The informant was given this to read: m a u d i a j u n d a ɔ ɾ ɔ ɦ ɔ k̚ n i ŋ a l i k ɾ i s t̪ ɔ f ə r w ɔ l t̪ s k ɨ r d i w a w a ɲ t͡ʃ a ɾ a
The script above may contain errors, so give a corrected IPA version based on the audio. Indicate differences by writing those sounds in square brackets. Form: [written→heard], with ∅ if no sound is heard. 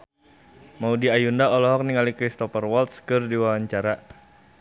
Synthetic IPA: m a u d i a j u n d a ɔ [ɾ→l] ɔ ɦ ɔ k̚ n i ŋ a l i k ɾ i s t̪ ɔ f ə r w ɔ l t̪ s k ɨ r d i w a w a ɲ t͡ʃ a ɾ a